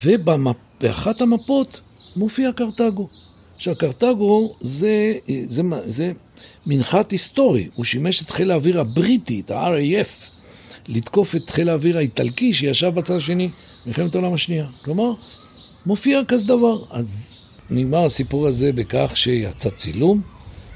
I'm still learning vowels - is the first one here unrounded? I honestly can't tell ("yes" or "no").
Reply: yes